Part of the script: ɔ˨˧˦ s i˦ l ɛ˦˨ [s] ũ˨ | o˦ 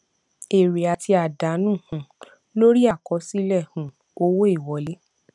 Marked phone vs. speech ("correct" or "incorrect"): incorrect